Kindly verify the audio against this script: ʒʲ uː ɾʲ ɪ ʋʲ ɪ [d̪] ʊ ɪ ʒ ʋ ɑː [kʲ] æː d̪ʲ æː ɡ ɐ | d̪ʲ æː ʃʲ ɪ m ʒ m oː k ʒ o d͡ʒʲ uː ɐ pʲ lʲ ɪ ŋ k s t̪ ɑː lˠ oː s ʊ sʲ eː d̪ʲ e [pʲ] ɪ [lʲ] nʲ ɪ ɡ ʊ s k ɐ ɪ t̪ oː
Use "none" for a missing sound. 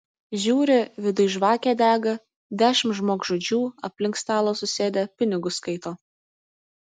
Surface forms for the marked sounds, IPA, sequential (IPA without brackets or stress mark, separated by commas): d̪, kʲ, pʲ, none